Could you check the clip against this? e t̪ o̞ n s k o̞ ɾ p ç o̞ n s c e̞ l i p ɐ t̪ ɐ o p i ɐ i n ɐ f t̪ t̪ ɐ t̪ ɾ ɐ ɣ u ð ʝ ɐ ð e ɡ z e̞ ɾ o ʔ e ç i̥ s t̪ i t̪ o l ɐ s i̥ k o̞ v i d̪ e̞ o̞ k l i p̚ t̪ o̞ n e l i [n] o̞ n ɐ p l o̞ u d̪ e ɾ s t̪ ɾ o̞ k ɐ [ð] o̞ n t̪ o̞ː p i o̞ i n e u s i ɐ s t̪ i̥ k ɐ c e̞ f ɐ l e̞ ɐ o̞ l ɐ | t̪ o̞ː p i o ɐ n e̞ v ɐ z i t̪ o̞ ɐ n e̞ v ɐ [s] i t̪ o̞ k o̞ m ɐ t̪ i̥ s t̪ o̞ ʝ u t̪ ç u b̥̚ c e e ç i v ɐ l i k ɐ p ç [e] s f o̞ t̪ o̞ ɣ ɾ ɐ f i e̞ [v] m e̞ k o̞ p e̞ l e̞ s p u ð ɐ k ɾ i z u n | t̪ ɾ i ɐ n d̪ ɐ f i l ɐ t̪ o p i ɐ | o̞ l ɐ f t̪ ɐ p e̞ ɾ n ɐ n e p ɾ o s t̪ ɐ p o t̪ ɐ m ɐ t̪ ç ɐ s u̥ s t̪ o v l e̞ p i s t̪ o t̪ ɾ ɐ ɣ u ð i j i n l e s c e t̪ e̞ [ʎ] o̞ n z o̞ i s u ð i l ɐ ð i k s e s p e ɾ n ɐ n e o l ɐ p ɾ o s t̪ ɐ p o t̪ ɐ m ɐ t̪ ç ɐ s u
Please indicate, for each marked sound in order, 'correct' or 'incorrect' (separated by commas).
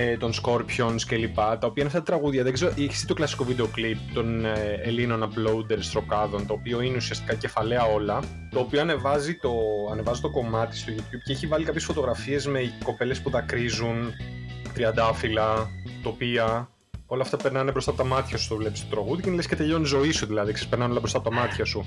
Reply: correct, correct, incorrect, correct, incorrect, correct